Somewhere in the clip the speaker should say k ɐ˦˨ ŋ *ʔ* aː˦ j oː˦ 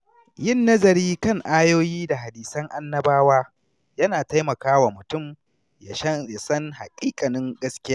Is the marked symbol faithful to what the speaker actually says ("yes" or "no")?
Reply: yes